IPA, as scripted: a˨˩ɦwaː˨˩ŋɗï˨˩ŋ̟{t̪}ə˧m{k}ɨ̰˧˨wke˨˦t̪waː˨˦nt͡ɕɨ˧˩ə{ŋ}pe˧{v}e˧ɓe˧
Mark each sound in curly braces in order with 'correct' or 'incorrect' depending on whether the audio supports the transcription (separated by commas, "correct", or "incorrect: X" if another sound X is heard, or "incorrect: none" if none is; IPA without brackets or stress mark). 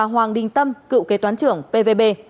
correct, correct, correct, correct